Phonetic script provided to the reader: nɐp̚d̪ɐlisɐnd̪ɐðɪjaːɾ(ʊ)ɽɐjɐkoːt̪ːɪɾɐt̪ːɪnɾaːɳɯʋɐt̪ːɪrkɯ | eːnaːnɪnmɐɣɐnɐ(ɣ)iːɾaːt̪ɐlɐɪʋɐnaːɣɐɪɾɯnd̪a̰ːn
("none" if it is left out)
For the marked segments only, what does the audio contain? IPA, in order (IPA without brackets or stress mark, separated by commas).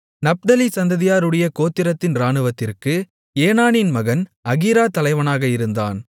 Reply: ɯ, ɣ